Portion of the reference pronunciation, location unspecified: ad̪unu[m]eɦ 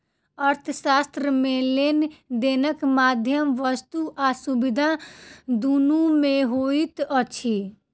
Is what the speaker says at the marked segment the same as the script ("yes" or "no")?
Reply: yes